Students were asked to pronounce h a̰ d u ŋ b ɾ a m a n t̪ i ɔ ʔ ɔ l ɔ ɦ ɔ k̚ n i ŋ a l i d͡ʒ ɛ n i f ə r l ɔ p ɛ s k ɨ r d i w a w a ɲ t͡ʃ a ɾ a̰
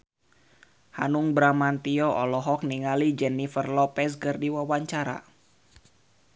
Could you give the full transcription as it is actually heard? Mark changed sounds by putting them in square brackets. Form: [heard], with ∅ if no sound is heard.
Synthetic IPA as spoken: h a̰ [n] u ŋ b ɾ a m a n t̪ i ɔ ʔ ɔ l ɔ ɦ ɔ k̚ n i ŋ a l i d͡ʒ ɛ n i f ə r l ɔ p ɛ s k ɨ r d i w a w a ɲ t͡ʃ a ɾ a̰